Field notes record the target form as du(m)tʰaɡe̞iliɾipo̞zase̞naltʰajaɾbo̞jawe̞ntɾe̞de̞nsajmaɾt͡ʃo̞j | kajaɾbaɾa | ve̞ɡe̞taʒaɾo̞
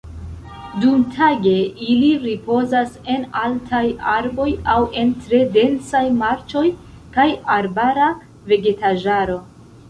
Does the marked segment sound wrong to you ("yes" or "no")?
no